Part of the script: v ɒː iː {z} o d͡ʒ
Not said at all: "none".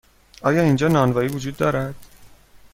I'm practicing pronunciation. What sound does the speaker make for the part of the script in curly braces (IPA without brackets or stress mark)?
v